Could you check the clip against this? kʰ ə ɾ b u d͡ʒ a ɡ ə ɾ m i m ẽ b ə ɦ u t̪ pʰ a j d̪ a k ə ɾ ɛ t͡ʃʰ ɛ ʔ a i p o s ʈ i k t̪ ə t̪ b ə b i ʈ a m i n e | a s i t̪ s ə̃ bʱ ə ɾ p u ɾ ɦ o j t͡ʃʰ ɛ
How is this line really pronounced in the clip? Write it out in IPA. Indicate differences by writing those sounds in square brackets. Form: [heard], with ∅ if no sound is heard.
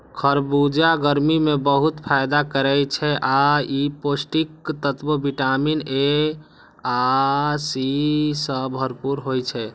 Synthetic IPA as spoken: kʰ ə ɾ b u d͡ʒ a ɡ ə ɾ m i m [e] b ə ɦ u t̪ pʰ a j d̪ a k ə ɾ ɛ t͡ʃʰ ɛ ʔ a i p o s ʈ i k t̪ ə t̪ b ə b i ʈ a m i n e | a s i [∅] s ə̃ bʱ ə ɾ p u ɾ ɦ o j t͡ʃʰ ɛ